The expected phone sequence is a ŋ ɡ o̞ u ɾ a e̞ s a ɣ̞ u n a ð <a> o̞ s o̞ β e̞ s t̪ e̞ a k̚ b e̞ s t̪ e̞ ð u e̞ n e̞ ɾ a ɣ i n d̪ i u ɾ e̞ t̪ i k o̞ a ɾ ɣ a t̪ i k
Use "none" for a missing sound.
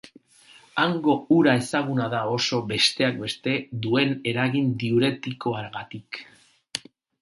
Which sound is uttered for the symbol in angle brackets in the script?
a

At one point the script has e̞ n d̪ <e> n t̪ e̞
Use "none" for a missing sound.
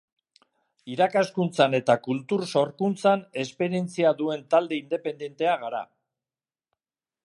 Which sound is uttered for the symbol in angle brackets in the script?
e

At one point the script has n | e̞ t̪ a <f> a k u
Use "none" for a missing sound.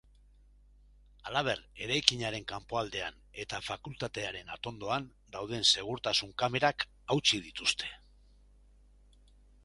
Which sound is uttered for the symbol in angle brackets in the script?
f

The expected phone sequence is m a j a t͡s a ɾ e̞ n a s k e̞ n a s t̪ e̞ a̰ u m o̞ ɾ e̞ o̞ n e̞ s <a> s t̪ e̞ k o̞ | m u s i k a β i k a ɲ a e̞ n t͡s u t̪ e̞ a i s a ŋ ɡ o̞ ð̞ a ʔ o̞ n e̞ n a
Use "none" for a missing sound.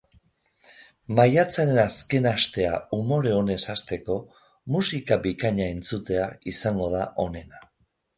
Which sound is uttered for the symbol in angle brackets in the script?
a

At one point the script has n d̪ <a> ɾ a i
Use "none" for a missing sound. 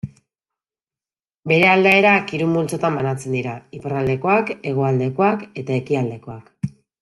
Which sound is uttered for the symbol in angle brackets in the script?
i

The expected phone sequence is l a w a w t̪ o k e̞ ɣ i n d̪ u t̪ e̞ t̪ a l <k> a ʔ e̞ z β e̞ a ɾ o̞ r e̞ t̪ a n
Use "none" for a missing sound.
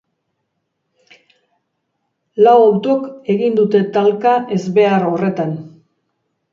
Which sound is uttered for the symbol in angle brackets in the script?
k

